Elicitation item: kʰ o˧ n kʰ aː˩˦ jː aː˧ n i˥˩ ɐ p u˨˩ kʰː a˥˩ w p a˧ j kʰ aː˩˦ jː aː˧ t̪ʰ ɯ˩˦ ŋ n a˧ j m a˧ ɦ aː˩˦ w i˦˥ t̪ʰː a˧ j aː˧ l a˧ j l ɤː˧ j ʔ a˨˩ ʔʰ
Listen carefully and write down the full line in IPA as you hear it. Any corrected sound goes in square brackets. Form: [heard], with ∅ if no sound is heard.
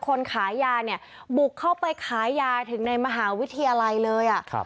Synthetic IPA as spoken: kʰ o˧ n kʰ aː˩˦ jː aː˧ n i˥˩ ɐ [b] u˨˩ kʰː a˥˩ w p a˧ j kʰ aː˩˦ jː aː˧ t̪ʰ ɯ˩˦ ŋ n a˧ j m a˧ ɦ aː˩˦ w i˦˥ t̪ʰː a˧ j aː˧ l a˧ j l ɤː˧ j ʔ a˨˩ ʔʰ